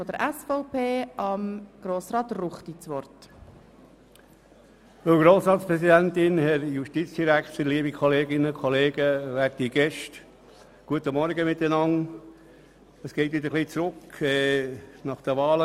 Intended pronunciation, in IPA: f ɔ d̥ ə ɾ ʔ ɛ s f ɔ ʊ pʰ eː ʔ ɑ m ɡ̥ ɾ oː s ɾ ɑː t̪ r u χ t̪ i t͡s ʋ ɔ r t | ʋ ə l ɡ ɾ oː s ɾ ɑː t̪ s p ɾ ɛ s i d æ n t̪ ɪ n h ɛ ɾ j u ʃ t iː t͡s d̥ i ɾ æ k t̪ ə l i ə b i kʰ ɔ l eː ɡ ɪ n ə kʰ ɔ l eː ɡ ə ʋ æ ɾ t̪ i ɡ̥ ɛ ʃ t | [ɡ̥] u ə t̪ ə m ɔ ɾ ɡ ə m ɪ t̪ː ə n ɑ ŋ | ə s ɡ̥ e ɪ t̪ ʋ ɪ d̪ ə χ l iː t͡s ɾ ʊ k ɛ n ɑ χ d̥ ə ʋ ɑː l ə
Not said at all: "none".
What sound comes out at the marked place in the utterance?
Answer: ɡ̥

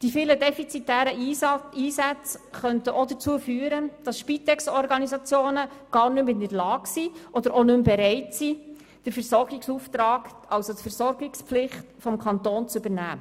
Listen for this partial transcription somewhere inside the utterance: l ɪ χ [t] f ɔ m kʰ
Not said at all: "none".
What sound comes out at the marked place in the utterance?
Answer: t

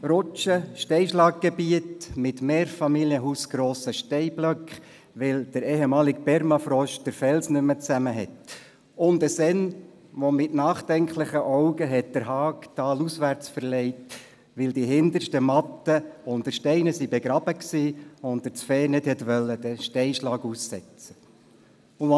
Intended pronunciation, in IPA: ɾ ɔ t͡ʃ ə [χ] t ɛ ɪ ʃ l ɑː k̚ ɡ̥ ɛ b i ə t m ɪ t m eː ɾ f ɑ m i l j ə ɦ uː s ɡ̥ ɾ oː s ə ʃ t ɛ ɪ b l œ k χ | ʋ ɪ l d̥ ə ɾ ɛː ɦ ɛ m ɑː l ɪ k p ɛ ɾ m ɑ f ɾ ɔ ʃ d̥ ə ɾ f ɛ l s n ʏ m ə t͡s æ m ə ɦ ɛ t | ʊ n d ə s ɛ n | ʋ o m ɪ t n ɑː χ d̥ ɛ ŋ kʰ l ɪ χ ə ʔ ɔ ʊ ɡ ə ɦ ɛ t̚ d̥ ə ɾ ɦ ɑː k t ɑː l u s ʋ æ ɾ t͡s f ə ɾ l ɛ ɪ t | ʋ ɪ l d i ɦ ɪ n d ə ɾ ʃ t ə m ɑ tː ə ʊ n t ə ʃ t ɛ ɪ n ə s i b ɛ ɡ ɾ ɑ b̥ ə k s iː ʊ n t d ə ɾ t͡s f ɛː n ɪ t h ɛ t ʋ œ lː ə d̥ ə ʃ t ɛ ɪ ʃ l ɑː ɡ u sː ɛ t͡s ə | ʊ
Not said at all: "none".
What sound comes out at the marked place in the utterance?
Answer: ʃ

